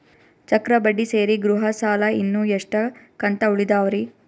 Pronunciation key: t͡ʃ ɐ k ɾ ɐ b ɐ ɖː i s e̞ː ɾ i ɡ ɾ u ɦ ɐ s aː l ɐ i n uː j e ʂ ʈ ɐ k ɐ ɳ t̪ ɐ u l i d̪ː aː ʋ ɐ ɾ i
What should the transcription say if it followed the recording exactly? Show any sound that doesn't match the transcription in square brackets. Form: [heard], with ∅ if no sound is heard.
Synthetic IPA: t͡ʃ ɐ k ɾ ɐ b ɐ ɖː i s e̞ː ɾ i ɡ ɾ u ɦ ɐ s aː l ɐ i [nː] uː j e ʂ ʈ ɐ k ɐ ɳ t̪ ɐ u [ɭ] i [d̪] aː ʋ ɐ ɾ i